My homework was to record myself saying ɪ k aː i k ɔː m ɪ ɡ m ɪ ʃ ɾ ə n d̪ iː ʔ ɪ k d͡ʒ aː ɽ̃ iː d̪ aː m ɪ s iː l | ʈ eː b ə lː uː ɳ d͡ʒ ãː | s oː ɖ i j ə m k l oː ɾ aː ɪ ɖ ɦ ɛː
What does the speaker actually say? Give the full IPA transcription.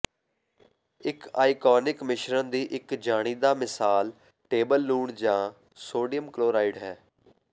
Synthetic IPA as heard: ɪ k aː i k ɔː n ɪ k m ɪ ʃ ɾ ə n d̪ iː ʔ ɪ k d͡ʒ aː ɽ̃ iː d̪ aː m ɪ s aː l | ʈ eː b ə lː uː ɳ d͡ʒ ãː | s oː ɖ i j ə m k l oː ɾ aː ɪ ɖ ɦ ɛː